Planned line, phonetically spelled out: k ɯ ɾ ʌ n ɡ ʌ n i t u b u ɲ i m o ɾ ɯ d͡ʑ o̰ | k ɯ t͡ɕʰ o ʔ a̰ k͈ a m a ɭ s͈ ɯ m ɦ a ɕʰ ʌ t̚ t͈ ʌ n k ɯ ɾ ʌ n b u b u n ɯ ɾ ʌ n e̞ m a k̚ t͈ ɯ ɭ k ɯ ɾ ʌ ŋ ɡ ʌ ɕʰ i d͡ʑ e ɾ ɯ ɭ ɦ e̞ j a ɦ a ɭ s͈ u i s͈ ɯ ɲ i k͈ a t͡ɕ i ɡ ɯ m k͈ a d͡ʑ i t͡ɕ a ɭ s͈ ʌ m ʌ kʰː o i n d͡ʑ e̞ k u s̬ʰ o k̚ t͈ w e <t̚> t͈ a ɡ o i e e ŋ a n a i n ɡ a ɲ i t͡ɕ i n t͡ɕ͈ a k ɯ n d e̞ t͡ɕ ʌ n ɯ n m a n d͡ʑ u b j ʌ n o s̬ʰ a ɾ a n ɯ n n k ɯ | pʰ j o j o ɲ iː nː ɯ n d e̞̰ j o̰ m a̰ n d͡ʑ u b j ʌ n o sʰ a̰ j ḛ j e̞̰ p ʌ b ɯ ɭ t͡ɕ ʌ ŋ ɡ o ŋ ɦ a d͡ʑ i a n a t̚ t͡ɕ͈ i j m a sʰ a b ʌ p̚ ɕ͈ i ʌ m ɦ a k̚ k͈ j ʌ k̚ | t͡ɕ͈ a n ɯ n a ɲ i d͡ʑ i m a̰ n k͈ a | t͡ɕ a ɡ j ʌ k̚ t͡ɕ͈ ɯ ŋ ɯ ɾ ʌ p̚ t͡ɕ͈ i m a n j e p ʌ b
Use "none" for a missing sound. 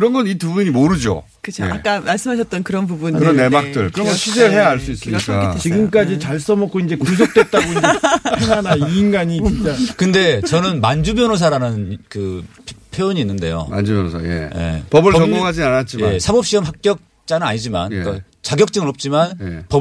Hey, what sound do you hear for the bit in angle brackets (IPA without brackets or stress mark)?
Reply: t̚